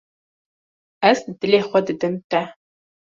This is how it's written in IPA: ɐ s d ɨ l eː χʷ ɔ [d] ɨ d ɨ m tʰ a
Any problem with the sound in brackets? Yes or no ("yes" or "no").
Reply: no